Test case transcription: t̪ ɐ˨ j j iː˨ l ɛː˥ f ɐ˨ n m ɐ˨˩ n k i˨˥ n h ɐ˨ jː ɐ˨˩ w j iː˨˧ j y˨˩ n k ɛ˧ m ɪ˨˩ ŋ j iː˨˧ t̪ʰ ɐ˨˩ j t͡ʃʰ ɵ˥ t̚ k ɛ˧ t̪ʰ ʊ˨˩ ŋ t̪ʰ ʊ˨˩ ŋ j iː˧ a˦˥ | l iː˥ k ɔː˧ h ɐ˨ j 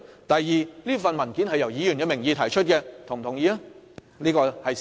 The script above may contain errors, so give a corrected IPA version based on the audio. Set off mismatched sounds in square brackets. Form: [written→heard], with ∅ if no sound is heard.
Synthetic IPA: t̪ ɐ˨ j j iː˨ l [ɛː˥→iː˥] f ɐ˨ n m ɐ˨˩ n k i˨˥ n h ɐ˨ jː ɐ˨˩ w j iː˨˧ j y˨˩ n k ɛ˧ m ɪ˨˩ ŋ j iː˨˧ t̪ʰ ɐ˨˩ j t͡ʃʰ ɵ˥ t̚ k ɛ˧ t̪ʰ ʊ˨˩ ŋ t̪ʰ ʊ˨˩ ŋ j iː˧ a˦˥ | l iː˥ k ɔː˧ h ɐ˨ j